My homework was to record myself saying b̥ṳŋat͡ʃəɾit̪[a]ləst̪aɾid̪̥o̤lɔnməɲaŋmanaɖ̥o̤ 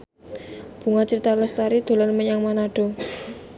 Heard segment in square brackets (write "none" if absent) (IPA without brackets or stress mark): a